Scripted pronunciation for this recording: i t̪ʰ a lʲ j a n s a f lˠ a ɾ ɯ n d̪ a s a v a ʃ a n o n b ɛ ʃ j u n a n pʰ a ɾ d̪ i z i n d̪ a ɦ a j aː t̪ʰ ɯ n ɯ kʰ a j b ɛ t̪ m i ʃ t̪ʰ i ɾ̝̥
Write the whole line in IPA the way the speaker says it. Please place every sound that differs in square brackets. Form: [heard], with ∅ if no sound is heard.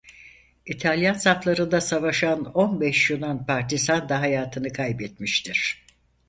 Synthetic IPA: i t̪ʰ a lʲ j a n s a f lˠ a ɾ ɯ n d̪ a s a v a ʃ a n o n b ɛ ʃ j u n a n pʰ a ɾ [t̪] i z [a] n d̪ a ɦ a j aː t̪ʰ ɯ n ɯ kʰ a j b ɛ t̪ m i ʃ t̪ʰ i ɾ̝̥